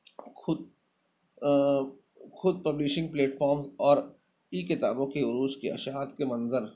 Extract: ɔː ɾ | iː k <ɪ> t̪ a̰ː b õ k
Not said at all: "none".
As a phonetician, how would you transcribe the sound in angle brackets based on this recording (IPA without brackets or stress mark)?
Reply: ɪ